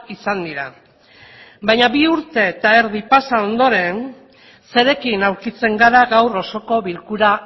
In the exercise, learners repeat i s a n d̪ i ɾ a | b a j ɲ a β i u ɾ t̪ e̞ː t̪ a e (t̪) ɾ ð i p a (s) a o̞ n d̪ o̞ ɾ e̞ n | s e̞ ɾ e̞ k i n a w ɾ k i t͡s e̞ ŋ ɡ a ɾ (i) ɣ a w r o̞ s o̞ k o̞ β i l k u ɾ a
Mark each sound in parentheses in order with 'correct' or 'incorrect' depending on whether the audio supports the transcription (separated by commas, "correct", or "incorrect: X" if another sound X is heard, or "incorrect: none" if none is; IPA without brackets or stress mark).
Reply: incorrect: none, correct, incorrect: a